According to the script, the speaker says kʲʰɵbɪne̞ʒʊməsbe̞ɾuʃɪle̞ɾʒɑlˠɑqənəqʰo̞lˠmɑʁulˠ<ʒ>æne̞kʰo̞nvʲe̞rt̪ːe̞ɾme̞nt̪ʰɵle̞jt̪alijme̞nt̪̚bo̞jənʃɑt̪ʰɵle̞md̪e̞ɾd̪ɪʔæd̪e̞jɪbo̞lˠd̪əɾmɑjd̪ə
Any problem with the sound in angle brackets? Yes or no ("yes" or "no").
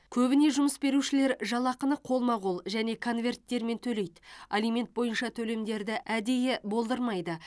no